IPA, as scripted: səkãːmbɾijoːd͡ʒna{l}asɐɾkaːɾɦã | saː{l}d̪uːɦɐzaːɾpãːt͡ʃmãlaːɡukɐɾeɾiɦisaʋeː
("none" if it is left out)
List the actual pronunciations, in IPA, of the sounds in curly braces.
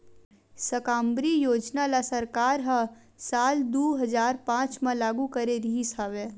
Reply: l, l

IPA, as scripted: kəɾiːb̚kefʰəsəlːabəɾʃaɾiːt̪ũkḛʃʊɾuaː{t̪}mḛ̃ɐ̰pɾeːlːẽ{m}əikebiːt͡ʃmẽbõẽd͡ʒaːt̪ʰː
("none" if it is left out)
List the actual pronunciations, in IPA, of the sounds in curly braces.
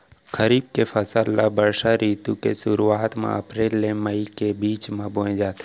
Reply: t̪, m

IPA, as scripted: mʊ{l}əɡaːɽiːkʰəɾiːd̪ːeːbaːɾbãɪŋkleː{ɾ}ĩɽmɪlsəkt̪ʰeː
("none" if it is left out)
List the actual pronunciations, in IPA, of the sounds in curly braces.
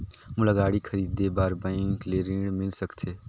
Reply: l, ɾ

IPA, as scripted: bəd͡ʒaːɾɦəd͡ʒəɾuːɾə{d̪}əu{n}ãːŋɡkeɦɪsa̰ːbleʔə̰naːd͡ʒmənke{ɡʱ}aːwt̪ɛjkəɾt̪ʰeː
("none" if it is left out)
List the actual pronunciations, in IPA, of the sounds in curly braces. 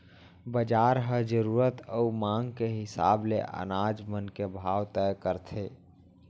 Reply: t̪, m, bʱ

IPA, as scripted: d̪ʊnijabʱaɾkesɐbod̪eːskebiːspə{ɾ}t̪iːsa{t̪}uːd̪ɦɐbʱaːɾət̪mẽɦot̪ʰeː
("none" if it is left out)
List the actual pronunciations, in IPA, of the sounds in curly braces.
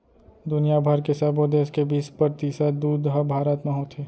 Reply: ɾ, d̪

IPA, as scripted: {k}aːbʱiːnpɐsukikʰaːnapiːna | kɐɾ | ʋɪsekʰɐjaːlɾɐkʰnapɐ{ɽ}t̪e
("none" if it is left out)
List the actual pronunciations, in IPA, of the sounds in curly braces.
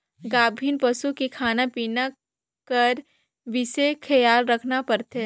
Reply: ɡ, ɾ

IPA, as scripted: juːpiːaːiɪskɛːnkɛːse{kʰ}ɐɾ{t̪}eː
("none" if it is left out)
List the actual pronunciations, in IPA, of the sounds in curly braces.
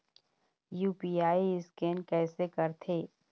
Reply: k, t̪ʰ

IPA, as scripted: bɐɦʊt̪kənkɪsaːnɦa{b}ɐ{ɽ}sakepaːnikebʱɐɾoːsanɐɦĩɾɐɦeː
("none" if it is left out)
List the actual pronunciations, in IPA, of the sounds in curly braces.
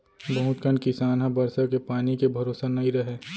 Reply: b, ɾ

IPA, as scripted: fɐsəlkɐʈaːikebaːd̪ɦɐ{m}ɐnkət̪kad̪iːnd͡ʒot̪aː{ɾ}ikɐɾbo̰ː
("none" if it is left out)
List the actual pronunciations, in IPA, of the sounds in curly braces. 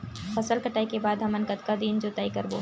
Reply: m, none

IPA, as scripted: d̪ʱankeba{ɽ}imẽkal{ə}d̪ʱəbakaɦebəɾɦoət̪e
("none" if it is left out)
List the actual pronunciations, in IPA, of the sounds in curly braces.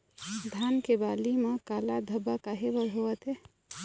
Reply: l, a

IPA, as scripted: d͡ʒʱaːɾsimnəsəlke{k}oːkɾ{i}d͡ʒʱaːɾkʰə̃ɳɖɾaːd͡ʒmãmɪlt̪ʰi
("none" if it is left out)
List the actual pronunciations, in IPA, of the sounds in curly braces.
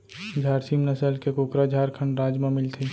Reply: k, a

